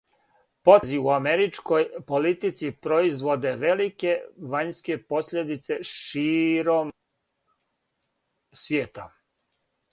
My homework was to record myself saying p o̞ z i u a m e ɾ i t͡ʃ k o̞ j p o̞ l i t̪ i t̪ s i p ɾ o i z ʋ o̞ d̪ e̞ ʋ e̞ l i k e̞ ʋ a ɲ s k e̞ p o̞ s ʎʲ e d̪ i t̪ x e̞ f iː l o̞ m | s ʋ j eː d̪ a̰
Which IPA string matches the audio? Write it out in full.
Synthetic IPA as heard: p o̞ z i u a m e ɾ i t͡ʃ k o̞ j p o̞ l i t̪ i t̪ s i p ɾ o i z ʋ o̞ d̪ e̞ ʋ e̞ l i k e̞ ʋ a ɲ s k e̞ p o̞ s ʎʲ e d̪ i t̪ s e̞ ʃ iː ɾ o̞ m | s ʋ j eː t̪ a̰